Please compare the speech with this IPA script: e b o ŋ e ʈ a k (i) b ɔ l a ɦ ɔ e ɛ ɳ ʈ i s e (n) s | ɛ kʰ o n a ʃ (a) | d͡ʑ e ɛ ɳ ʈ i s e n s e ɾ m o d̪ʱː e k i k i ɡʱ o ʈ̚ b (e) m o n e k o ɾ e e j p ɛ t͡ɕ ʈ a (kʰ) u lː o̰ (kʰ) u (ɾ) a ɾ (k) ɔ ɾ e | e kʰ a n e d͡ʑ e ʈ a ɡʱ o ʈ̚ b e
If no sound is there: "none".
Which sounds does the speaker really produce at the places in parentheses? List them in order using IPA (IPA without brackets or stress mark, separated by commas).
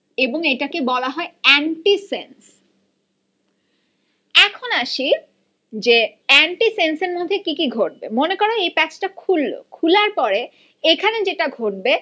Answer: e, n, i, e, kʰ, kʰ, l, p